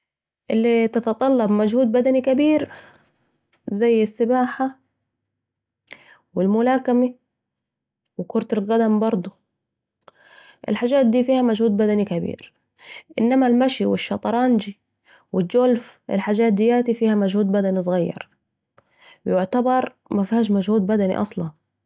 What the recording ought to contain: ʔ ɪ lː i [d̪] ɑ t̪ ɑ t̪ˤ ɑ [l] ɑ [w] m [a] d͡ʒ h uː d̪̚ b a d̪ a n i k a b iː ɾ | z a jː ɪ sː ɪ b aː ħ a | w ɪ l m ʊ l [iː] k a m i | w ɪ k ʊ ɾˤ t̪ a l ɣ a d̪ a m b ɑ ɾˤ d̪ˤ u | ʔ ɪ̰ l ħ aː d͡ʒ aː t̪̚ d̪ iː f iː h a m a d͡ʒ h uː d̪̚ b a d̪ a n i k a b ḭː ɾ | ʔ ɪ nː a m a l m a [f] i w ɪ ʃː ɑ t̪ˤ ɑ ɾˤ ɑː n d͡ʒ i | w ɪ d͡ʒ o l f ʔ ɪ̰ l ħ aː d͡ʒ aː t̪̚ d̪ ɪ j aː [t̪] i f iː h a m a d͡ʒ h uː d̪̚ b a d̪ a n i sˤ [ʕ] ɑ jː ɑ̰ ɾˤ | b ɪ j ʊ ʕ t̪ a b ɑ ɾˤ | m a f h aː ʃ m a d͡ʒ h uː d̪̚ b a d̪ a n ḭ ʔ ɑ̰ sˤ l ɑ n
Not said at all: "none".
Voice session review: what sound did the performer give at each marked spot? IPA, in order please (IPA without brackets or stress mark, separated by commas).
t̪, lː, b, a, aː, ʃ, t̪, ɣ